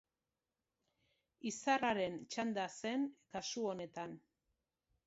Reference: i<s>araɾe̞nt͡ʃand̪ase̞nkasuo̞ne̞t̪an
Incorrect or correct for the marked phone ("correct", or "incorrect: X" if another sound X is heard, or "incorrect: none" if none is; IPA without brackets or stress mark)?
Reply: correct